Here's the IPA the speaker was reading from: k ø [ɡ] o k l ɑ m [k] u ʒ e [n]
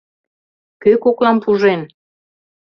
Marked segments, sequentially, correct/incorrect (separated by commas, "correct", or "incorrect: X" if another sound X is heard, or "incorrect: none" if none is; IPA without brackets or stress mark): incorrect: k, incorrect: p, correct